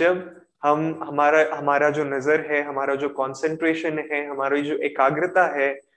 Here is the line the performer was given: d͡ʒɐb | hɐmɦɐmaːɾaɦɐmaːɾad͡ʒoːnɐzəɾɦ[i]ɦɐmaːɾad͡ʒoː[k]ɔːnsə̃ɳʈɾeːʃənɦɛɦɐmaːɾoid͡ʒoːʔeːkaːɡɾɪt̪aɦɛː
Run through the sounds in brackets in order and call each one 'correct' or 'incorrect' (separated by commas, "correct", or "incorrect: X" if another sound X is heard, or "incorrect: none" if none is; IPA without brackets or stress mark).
incorrect: ɛ, correct